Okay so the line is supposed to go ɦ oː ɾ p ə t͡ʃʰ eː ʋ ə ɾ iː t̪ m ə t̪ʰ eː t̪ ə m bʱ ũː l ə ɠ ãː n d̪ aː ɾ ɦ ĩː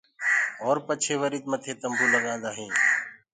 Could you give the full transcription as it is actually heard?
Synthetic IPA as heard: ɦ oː ɾ p ə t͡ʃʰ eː ʋ ə ɾ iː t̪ m ə t̪ʰ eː t̪ ə m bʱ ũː l ə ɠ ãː n d̪ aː ɦ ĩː